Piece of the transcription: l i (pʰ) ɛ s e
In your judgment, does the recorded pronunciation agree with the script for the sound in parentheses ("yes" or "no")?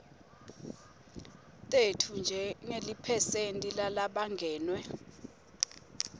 yes